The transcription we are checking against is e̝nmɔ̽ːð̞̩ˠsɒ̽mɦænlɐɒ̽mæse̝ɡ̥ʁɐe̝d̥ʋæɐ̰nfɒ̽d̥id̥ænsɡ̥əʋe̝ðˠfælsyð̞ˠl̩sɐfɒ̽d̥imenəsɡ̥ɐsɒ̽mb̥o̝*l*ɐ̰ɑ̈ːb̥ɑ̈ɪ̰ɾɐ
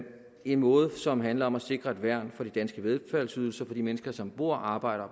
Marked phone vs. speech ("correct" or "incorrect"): incorrect